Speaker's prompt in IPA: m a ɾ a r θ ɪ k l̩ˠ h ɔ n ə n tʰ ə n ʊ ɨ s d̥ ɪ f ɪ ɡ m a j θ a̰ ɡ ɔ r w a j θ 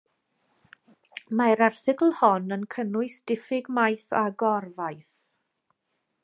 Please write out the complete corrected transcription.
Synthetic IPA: m a ɾ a r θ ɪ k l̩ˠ h ɔ n ə n kʰ ə n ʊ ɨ s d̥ ɪ f ɪ ɡ m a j θ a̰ ɡ ɔ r v a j θ